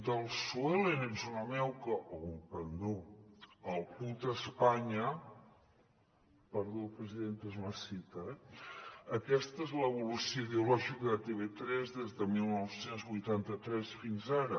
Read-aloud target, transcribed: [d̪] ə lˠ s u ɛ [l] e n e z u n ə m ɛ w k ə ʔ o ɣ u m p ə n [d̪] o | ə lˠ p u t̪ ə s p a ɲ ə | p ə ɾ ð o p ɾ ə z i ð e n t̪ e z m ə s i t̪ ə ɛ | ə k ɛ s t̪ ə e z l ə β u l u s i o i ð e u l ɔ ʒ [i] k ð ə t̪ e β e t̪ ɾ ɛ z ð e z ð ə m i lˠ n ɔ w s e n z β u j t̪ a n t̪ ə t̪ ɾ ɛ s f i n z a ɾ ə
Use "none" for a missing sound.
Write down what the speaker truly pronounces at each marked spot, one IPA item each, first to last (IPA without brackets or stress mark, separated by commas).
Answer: d̪, l, d̪, i